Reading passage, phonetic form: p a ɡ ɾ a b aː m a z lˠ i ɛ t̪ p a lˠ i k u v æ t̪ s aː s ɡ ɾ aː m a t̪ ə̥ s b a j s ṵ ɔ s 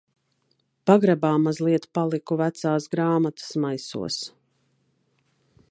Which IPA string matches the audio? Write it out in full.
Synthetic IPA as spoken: p a ɡ ɾ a b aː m a z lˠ i ɛ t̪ p a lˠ i k u v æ t̪ s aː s ɡ ɾ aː m a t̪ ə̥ s m a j s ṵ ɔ s